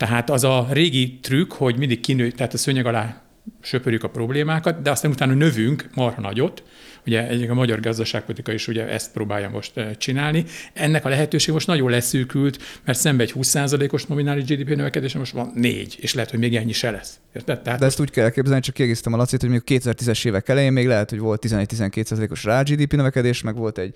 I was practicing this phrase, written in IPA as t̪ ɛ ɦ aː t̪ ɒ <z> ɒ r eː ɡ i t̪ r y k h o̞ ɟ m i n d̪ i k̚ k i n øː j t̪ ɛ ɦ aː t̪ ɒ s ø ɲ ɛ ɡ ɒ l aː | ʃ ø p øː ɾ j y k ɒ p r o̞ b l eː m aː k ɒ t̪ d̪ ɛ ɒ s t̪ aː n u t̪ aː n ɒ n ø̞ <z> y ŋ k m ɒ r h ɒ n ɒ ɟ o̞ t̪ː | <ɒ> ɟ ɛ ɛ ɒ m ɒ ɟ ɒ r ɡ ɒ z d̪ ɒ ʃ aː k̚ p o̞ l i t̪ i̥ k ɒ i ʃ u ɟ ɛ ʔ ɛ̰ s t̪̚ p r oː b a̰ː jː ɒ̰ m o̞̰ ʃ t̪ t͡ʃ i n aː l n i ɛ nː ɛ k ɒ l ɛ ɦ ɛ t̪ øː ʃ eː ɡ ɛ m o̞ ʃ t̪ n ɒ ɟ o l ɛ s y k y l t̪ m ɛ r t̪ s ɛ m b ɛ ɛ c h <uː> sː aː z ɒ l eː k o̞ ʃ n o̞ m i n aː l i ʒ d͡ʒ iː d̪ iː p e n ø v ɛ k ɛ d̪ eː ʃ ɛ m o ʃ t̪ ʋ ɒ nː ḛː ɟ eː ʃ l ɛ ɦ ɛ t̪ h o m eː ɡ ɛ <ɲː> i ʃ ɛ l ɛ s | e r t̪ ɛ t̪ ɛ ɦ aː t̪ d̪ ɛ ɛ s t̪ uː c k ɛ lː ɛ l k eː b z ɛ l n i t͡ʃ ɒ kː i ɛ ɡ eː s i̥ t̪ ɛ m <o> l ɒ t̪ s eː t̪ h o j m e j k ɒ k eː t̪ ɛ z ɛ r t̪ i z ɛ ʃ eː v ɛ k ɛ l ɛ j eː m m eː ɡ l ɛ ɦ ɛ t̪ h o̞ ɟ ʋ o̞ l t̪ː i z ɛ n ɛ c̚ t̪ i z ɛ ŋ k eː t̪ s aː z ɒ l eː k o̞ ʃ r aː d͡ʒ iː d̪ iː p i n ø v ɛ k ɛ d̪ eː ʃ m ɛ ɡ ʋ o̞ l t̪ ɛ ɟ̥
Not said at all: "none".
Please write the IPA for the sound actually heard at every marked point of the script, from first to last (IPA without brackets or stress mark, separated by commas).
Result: z, v, u, uː, ɲː, ɒ